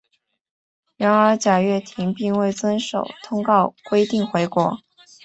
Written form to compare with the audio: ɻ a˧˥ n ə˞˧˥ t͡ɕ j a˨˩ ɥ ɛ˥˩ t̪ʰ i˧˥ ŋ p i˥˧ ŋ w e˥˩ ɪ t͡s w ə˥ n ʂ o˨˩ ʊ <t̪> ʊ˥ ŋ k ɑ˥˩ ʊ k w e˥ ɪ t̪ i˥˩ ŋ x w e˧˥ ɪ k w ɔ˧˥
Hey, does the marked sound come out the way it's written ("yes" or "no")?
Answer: no